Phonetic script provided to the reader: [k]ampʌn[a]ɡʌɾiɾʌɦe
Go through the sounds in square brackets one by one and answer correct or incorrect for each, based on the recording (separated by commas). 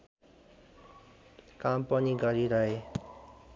correct, incorrect